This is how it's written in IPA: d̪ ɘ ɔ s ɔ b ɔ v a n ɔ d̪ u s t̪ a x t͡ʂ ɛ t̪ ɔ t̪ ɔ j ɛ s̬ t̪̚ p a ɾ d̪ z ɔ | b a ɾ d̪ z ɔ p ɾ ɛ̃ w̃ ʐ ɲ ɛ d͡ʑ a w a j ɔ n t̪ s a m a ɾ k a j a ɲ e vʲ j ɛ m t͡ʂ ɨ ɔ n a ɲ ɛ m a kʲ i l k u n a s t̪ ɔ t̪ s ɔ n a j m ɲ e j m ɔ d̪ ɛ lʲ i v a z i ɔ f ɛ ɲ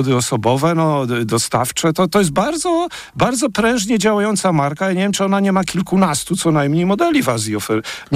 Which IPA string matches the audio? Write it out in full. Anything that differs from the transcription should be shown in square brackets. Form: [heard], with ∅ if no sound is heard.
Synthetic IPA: d̪ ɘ ɔ s ɔ b ɔ v [ɛ] n ɔ d̪ [ɔ] s t̪ a [f] t͡ʂ ɛ t̪ ɔ t̪ ɔ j ɛ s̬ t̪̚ [b] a ɾ d̪ z ɔ | b a ɾ d̪ z ɔ p ɾ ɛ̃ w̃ ʐ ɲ ɛ d͡ʑ a w a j ɔ n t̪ s a m a ɾ k a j a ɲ e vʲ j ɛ m t͡ʂ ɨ ɔ n a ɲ ɛ m a kʲ i l k u n a s t̪ [u] t̪ s ɔ n a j m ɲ e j m ɔ d̪ ɛ lʲ i v a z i ɔ f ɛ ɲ